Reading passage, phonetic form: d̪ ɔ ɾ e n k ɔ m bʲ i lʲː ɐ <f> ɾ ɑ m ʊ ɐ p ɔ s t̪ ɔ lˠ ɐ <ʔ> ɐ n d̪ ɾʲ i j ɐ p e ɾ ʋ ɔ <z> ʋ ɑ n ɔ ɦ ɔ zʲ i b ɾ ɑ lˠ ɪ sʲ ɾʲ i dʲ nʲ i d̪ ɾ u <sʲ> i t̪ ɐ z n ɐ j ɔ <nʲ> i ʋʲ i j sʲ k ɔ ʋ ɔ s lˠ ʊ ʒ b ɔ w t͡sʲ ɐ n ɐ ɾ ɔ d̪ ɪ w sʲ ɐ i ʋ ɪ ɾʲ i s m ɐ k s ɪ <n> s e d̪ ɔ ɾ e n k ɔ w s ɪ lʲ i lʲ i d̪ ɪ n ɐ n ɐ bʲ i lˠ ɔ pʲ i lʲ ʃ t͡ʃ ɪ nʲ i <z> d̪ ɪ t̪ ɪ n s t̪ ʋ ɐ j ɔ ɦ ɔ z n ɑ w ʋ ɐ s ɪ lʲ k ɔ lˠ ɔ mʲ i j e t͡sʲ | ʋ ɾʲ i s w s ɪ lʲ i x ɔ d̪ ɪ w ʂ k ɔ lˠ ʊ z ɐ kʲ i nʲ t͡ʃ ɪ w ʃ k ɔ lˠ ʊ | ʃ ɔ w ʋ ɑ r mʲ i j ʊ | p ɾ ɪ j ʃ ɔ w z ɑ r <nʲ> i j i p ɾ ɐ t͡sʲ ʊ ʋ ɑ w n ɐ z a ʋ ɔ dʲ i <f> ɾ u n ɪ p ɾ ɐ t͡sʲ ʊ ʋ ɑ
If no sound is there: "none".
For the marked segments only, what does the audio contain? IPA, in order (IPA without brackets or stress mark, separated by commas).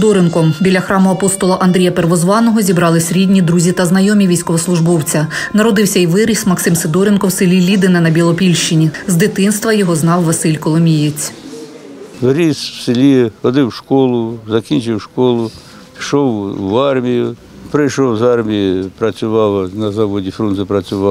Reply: x, ʔ, z, zʲ, mʲ, m, z, mʲ, f